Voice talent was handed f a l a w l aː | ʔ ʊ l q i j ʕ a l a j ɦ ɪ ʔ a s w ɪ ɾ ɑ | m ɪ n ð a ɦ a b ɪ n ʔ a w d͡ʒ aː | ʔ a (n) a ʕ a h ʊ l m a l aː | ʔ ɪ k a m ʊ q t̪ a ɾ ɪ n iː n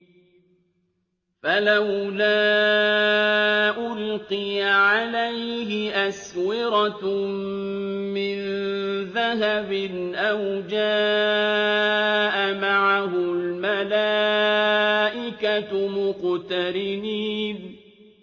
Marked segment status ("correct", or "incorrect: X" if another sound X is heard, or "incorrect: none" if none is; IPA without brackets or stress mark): incorrect: m